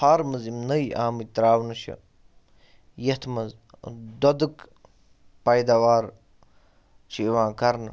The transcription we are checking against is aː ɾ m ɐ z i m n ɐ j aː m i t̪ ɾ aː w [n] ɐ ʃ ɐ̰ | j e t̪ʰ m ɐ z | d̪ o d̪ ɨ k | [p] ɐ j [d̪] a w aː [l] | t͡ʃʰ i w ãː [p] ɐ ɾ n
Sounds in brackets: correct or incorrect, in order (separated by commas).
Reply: correct, correct, correct, incorrect, incorrect